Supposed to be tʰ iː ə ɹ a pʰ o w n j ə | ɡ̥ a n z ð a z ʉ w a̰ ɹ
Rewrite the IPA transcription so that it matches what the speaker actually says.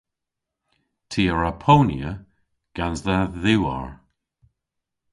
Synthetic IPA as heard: tʰ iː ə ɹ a pʰ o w n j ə | ɡ̥ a n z ð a ð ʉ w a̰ ɹ